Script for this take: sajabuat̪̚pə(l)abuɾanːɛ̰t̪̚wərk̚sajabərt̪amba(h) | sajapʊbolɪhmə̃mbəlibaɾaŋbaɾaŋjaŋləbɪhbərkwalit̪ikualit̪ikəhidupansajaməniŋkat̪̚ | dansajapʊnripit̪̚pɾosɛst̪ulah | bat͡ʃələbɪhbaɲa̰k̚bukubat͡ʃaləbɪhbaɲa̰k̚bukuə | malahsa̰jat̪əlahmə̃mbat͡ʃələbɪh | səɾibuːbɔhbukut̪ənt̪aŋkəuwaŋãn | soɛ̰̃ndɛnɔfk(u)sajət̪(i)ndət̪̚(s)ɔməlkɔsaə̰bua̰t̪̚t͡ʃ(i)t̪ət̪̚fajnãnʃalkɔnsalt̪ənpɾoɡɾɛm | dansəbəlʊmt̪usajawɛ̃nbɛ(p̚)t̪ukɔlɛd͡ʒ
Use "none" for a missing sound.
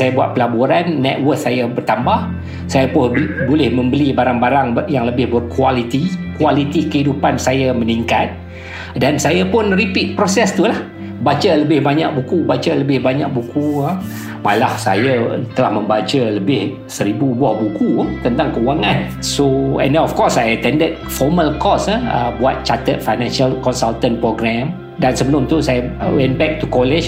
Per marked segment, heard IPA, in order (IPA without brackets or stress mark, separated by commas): l, h, ɔ, ɛ, f, a, k̚